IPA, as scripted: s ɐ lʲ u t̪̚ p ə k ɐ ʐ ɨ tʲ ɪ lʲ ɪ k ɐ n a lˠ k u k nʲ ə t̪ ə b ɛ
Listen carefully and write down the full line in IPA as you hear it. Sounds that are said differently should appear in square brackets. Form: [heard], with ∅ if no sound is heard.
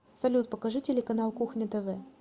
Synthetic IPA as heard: s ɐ lʲ u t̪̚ p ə k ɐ ʐ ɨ tʲ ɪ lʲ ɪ k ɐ n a lˠ k u [x] nʲ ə t̪ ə [v] ɛ